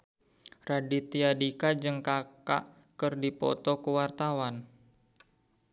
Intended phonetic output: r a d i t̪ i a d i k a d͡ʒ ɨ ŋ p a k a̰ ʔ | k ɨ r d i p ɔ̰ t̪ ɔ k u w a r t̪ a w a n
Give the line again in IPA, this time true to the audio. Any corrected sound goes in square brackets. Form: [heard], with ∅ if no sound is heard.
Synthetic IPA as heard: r a d i t̪ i a d i k a d͡ʒ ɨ ŋ [k] a k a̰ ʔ | k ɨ r d i p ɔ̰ t̪ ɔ k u w a r t̪ a w a n